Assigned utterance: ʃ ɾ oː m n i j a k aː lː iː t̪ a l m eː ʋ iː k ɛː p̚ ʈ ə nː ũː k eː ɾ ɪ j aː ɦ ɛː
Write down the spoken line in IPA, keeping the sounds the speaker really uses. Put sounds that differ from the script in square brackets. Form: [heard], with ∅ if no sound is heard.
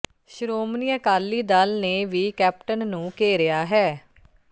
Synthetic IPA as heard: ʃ ɾ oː m n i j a k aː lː iː [d̪] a l [n] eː ʋ iː k ɛː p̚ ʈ ə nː ũː k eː ɾ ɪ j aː ɦ ɛː